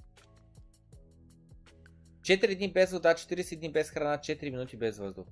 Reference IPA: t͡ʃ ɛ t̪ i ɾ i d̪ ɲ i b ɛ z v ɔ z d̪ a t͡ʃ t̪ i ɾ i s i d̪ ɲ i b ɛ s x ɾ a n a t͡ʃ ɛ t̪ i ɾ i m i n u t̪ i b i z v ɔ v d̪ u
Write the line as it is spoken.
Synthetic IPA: t͡ʃ ɛ t̪ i ɾ i d̪ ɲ i b ɛ z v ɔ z d̪ a t͡ʃ t̪ i ɾ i s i d̪ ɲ i b ɛ s x ɾ a n a t͡ʃ ɛ t̪ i ɾ i m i n u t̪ i b ɛ z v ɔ z d̪ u